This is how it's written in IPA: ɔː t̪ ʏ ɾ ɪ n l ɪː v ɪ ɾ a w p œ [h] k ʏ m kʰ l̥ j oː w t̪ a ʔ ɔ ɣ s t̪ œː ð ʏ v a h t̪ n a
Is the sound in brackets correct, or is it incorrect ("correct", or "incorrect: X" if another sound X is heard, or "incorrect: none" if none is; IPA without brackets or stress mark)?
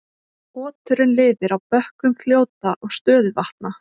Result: correct